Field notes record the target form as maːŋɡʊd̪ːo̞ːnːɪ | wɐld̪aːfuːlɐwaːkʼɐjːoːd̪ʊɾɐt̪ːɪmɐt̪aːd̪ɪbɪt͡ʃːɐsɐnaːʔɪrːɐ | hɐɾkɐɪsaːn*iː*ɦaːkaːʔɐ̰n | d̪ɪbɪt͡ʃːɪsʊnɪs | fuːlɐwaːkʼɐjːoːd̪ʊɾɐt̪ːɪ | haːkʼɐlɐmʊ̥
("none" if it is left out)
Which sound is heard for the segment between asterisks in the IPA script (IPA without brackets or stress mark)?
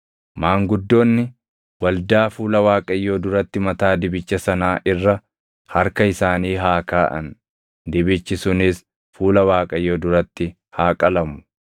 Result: iː